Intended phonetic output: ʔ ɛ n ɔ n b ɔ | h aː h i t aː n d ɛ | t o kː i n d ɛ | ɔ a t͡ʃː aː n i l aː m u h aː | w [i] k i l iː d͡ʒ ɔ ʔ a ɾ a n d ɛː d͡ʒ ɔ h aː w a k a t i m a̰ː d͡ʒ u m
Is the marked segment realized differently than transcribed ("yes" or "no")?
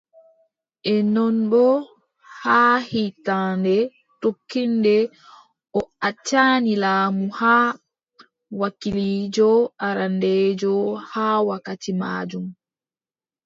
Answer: yes